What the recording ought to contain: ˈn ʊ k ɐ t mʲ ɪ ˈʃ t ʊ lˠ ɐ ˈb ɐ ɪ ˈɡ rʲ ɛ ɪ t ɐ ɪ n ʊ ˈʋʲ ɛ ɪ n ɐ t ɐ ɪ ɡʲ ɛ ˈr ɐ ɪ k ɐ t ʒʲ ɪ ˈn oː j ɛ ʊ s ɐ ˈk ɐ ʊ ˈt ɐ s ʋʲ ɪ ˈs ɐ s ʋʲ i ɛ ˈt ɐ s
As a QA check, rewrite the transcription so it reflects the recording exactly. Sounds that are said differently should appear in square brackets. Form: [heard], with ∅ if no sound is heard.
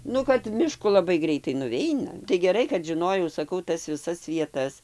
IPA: ˈn ʊ k ɐ t mʲ ɪ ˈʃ [k] ʊ lˠ ɐ ˈb ɐ ɪ ˈɡ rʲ ɛ ɪ t ɐ ɪ n ʊ ˈʋʲ ɛ ɪ n ɐ t ɐ ɪ ɡʲ ɛ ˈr ɐ ɪ k ɐ t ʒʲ ɪ ˈn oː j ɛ ʊ s ɐ ˈk ɐ ʊ ˈt ɐ s ʋʲ ɪ ˈs ɐ s ʋʲ i ɛ ˈt ɐ s